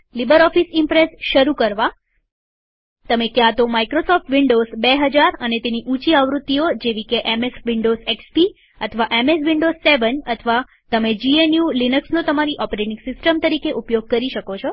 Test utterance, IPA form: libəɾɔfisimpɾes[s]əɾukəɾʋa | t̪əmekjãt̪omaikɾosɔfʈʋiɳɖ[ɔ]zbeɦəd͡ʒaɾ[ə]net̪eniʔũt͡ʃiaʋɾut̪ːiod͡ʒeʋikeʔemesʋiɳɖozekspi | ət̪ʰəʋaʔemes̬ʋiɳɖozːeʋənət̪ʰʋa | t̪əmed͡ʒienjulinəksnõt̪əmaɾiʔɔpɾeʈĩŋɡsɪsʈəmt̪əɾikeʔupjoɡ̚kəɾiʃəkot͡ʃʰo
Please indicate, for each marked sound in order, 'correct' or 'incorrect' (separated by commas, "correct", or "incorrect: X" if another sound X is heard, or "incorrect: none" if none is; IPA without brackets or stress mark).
incorrect: ʃ, incorrect: o, correct